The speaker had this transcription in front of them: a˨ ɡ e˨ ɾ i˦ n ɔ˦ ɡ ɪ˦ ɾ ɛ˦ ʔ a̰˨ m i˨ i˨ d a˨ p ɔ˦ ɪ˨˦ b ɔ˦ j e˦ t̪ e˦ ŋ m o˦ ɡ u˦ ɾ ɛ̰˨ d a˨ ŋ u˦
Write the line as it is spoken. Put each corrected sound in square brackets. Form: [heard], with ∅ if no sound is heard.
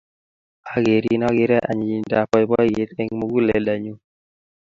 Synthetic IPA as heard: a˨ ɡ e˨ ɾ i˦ n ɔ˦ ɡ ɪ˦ ɾ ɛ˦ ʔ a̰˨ [ɲ] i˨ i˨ d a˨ p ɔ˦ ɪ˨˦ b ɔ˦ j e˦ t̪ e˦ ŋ m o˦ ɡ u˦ [l] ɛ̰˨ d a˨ [ɲ] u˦